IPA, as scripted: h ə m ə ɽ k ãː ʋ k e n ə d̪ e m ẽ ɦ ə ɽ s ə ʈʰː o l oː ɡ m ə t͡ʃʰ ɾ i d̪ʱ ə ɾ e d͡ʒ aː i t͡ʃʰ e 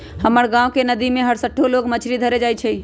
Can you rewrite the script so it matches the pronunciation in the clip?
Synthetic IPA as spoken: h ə m ə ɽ ɡ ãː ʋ k e n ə d̪ i m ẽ ɦ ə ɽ s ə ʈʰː o l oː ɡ m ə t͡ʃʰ ɾ i d̪ʱ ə ɾ e d͡ʒ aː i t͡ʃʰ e